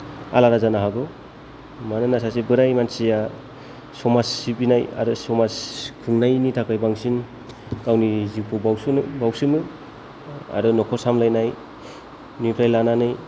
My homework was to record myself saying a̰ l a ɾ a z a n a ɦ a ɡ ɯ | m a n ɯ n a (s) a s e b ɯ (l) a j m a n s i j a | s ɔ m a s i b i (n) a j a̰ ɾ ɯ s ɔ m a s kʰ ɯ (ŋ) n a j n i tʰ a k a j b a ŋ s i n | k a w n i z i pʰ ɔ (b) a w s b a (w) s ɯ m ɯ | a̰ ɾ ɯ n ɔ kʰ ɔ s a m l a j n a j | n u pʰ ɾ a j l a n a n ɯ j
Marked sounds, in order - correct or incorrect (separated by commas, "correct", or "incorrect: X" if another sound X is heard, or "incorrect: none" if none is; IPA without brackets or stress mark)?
correct, incorrect: ɾ, correct, correct, correct, correct